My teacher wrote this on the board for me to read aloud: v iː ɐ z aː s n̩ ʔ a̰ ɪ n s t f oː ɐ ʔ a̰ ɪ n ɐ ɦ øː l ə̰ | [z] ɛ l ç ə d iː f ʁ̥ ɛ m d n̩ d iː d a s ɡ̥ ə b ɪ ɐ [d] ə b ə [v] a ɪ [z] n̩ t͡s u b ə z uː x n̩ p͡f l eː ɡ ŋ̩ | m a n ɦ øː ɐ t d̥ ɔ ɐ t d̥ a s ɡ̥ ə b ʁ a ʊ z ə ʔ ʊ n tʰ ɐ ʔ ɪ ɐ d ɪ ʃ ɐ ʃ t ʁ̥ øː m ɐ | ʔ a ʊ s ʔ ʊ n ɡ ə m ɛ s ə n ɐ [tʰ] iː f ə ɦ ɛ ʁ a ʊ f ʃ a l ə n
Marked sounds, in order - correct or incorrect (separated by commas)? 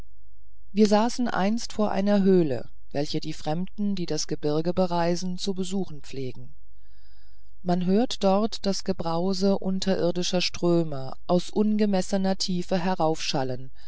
incorrect, incorrect, incorrect, correct, correct